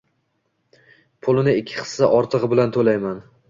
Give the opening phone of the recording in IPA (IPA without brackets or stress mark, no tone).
pʰ